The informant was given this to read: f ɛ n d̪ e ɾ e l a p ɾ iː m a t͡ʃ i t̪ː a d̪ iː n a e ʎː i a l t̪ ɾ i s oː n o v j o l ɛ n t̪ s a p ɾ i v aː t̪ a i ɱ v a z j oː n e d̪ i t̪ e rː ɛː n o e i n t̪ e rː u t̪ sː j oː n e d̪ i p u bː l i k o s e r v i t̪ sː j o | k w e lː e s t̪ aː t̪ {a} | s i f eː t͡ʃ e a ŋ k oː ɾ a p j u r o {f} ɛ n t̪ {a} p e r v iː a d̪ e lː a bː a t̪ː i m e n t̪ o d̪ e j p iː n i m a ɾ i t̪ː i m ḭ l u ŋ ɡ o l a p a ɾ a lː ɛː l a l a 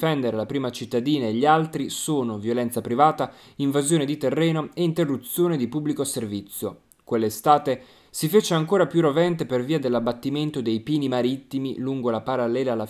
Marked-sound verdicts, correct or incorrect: incorrect, incorrect, incorrect

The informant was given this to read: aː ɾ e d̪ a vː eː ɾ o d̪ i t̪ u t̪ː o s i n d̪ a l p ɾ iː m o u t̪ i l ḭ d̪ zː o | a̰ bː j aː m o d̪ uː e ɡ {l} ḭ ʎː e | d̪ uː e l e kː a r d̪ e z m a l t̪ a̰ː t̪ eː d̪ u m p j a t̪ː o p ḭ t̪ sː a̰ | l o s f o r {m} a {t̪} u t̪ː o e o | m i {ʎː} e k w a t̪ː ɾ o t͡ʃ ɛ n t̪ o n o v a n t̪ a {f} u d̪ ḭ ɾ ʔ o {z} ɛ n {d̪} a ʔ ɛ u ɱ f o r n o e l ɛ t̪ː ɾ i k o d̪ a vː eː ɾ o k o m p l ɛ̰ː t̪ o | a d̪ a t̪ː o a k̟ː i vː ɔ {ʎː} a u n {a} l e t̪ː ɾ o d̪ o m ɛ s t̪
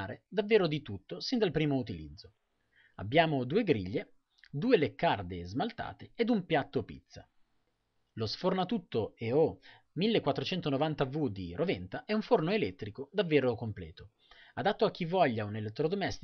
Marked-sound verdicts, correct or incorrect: incorrect, incorrect, correct, incorrect, incorrect, incorrect, incorrect, correct, incorrect

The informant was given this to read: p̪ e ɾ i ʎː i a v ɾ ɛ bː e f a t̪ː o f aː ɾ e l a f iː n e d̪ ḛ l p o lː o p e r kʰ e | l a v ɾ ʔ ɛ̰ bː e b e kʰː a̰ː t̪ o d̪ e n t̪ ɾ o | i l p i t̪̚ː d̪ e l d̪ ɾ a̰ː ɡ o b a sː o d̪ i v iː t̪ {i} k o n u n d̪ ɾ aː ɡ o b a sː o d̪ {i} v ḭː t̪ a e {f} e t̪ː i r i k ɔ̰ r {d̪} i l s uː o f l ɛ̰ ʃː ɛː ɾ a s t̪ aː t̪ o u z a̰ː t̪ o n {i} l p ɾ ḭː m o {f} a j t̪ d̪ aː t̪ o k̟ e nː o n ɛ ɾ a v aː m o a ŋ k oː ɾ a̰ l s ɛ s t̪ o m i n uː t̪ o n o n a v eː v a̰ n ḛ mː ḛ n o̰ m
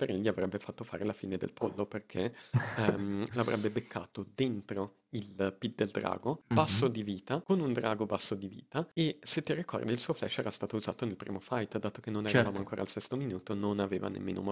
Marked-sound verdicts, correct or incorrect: incorrect, correct, incorrect, correct, incorrect, correct

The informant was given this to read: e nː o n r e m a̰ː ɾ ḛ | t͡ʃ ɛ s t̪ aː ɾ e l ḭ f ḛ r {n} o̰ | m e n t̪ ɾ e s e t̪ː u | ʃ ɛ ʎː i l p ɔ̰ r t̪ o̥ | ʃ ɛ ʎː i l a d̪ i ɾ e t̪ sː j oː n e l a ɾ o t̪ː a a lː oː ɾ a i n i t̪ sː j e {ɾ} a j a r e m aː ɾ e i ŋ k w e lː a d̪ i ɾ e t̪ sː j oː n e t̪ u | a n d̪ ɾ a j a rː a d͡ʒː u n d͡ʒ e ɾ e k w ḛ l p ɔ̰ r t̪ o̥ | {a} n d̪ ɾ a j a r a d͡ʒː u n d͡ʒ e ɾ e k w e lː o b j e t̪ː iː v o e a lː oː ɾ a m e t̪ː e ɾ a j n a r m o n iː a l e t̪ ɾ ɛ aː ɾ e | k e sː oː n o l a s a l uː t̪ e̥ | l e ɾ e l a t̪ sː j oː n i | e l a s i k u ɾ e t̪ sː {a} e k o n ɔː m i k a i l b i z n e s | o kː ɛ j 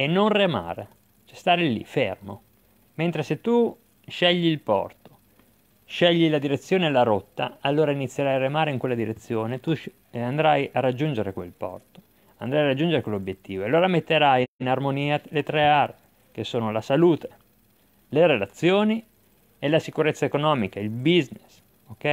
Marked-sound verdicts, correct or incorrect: incorrect, correct, correct, correct

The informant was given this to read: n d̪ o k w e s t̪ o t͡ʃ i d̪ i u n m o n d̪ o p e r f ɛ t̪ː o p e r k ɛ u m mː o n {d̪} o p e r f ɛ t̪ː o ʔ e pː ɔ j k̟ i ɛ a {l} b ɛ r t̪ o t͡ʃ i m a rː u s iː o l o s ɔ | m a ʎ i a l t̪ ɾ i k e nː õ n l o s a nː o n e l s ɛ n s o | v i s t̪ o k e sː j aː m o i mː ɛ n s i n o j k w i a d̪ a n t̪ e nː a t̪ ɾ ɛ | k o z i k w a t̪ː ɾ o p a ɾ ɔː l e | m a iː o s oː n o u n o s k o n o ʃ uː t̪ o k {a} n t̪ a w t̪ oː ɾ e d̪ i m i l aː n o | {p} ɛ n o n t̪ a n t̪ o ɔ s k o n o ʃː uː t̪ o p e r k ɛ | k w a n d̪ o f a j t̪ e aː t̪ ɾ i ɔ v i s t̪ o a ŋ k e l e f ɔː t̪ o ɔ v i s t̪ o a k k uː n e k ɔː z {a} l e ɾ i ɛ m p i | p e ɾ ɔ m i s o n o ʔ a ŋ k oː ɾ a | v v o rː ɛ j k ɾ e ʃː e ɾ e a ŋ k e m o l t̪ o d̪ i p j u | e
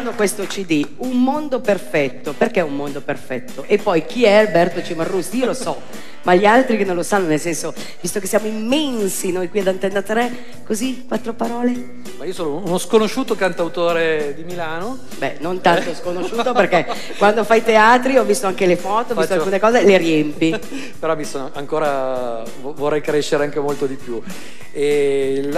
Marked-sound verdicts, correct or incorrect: correct, correct, correct, incorrect, incorrect

